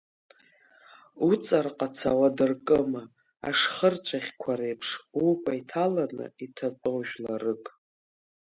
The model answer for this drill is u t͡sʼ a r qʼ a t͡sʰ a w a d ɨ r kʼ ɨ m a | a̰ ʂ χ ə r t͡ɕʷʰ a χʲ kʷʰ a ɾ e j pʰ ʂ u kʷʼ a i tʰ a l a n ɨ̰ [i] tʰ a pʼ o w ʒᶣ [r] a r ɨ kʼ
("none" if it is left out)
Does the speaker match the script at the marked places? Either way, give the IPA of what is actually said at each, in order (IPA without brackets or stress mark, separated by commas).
i, l